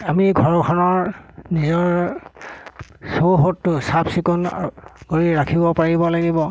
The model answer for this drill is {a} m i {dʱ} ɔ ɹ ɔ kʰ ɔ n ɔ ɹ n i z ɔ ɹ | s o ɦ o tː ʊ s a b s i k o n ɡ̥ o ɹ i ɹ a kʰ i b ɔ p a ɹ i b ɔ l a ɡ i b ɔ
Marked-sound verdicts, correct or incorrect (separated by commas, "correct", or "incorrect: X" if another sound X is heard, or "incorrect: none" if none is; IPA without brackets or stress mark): correct, incorrect: ɡʱ